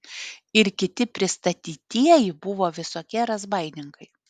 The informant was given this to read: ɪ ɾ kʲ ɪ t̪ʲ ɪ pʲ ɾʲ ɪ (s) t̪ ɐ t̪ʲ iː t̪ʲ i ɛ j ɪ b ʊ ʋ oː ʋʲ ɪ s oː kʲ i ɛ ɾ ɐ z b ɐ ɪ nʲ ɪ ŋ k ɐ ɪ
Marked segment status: correct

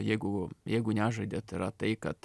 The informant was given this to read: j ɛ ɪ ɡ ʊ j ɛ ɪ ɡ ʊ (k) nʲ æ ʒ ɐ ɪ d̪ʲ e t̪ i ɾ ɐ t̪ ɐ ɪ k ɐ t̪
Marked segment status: incorrect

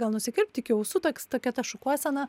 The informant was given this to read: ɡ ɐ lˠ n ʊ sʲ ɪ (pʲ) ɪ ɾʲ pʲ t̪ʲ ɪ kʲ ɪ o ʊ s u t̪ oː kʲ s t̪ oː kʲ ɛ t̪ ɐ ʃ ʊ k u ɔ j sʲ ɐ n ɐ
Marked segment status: incorrect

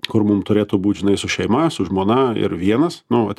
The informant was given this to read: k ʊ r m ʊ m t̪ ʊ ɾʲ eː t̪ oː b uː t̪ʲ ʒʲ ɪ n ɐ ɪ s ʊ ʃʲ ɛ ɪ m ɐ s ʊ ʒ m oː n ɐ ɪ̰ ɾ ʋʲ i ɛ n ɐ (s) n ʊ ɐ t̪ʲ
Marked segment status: correct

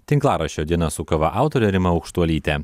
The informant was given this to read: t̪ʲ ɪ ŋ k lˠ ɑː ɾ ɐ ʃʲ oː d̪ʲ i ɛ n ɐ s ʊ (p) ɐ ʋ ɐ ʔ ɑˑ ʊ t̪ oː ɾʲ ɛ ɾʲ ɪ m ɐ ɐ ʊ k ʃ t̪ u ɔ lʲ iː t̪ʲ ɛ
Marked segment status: incorrect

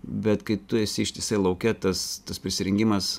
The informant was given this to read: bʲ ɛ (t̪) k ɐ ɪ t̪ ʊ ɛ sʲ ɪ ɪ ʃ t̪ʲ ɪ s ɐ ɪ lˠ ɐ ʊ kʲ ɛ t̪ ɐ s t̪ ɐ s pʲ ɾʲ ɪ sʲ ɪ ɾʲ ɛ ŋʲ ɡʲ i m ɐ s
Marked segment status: correct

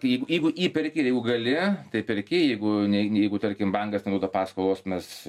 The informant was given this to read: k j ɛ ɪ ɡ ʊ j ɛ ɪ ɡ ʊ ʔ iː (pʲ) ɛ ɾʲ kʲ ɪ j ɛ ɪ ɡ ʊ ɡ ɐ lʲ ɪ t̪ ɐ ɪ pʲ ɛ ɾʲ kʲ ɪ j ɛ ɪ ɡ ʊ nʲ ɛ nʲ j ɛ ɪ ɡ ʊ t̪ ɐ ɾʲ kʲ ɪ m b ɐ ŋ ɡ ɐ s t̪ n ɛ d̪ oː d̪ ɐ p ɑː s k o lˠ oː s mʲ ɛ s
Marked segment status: correct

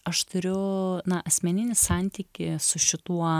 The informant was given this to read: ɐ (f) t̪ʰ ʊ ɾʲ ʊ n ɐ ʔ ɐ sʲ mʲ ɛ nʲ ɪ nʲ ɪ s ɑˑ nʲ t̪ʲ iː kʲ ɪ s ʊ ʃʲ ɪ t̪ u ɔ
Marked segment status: incorrect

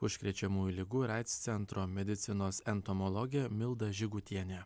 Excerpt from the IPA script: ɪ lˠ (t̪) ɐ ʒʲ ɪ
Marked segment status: incorrect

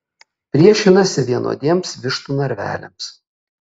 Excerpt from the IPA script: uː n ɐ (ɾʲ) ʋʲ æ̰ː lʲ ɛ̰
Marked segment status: correct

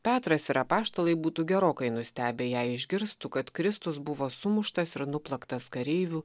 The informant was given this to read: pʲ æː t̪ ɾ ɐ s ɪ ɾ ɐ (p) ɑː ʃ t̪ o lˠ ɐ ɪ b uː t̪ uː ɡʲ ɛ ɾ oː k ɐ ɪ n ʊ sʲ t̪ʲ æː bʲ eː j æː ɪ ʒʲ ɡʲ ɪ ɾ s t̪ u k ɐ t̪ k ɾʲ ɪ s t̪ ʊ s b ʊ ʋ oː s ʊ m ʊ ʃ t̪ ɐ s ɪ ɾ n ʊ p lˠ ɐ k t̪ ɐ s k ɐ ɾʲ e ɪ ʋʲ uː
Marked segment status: correct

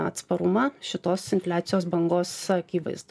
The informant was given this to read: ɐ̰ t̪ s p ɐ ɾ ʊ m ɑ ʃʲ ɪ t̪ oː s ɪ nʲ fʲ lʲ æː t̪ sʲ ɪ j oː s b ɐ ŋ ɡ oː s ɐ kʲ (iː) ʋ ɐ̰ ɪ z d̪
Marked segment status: correct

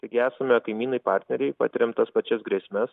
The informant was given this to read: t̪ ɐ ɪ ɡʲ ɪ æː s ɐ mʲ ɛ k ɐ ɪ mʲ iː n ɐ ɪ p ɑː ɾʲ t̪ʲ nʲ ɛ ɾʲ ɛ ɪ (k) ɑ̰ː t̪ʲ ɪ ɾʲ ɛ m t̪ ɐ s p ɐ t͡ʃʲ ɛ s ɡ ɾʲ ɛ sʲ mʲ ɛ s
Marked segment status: incorrect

